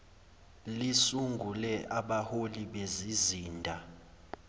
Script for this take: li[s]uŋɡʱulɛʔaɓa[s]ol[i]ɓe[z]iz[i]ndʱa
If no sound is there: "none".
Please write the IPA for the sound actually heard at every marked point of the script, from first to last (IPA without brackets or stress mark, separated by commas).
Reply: s, h, i, z, iː